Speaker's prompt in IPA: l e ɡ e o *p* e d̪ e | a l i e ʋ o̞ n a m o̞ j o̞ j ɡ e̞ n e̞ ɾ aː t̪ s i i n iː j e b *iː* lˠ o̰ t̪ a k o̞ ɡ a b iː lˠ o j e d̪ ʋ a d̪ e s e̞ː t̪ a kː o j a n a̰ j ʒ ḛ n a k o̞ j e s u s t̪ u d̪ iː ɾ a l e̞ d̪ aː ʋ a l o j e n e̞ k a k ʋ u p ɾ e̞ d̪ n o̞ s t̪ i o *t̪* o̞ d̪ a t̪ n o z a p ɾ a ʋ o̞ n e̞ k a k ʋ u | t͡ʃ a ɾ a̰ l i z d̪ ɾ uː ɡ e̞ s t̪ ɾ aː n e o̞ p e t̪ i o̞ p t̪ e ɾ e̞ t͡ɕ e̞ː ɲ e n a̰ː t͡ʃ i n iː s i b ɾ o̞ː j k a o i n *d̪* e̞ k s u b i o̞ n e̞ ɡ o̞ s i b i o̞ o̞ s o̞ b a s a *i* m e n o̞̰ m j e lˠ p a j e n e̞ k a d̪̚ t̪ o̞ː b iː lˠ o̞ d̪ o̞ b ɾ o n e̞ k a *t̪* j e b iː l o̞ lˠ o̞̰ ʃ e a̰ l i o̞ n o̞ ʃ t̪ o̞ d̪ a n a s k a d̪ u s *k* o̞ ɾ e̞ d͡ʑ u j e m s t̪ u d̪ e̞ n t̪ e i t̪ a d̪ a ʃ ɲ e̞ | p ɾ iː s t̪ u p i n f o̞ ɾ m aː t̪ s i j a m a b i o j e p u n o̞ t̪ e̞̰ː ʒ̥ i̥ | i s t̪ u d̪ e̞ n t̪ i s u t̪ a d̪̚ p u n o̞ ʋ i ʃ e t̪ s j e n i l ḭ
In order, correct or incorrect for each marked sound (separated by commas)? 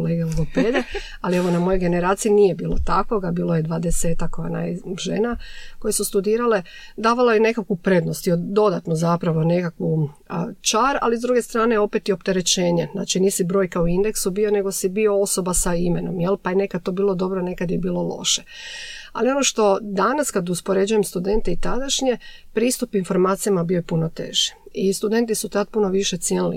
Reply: correct, correct, incorrect, correct, correct, incorrect, incorrect